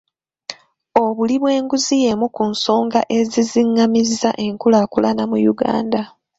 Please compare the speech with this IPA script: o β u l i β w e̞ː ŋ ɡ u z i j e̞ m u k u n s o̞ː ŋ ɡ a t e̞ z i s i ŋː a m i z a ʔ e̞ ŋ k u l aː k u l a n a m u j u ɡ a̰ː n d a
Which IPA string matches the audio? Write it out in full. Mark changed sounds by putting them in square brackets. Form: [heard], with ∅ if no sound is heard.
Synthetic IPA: o β u l i β w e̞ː ŋ ɡ u z i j e̞ m u k u n s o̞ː ŋ ɡ a [ʔ] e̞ z i [z] i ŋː a m i z a ʔ e̞ ŋ k u l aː k u l a n a m u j u ɡ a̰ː n d a